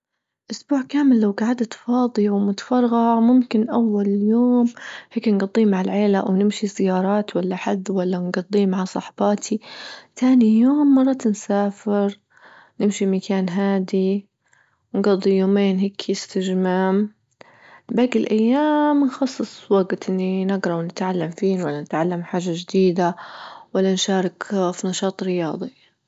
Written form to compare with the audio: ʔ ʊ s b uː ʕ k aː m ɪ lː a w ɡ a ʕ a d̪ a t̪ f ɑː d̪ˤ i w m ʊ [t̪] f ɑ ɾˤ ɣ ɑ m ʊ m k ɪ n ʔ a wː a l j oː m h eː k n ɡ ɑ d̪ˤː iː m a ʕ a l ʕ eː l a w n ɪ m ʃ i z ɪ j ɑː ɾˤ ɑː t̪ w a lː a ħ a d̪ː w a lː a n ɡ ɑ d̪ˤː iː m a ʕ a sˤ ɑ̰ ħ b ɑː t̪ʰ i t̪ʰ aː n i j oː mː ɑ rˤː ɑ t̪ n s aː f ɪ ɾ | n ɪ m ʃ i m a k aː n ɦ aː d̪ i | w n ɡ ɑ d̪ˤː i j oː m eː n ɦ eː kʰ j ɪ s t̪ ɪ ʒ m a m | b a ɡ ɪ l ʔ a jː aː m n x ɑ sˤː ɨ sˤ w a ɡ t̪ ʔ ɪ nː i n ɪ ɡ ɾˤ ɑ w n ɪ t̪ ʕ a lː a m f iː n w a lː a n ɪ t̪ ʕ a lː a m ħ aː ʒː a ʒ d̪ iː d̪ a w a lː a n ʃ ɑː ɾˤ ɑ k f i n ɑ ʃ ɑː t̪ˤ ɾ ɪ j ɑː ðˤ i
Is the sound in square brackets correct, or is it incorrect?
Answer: correct